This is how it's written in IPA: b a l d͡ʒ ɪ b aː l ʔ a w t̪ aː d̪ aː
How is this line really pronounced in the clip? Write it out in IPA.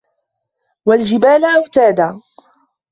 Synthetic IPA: w a l d͡ʒ ɪ b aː l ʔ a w t̪ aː d̪ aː